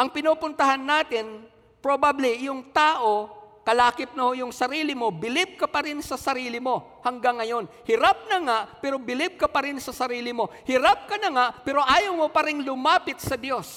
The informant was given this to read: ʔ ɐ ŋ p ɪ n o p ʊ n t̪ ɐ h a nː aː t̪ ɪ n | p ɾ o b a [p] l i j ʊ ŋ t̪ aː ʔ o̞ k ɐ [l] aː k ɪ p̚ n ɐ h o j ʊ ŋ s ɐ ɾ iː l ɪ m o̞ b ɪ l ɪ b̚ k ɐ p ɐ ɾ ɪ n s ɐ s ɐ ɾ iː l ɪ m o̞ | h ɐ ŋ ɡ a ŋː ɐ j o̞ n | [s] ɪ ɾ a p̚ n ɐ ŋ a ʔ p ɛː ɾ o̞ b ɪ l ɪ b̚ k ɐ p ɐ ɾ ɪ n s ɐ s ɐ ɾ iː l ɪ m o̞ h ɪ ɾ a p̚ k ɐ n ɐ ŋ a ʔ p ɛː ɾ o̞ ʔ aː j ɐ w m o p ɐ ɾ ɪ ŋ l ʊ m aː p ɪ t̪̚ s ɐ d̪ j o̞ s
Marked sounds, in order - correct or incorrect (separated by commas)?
incorrect, correct, incorrect